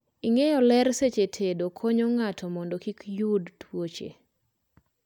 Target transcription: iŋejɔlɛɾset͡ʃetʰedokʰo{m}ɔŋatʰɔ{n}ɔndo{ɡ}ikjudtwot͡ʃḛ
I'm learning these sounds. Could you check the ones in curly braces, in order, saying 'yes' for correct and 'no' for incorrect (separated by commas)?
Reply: no, no, no